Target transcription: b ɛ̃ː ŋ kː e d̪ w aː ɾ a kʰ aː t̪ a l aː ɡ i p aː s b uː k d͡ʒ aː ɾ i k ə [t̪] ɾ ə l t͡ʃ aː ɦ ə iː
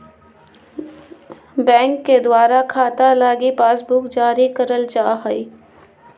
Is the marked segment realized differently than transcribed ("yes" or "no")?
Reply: yes